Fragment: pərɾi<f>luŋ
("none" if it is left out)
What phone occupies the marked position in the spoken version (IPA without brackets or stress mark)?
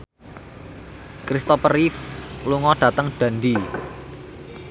f